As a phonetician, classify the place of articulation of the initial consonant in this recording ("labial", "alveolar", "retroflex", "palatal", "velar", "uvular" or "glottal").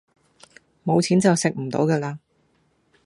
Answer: labial